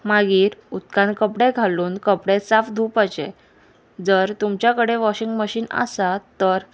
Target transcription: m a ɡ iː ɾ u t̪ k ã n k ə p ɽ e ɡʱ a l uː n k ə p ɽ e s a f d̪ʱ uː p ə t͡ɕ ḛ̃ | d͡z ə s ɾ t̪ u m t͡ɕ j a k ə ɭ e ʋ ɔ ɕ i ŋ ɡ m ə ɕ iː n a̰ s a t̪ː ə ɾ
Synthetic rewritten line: m a ɡ iː ɾ u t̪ k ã n k ə p ɽ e ɡʱ a l uː n k ə p ɽ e s a f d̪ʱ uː p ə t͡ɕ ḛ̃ | d͡z ə ɾ t̪ u m t͡ɕ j a k ə ɽ e ʋ ɔ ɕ i ŋ ɡ m ə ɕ iː n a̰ s a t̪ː ə ɾ